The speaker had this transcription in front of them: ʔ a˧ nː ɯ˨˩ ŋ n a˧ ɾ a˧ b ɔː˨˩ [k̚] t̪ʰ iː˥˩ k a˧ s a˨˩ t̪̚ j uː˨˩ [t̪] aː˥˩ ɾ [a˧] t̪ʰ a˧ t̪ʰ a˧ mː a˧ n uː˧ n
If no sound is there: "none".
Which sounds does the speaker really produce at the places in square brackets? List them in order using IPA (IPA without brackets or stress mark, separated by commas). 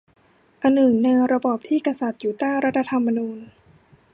p̚, t̪, a˦˥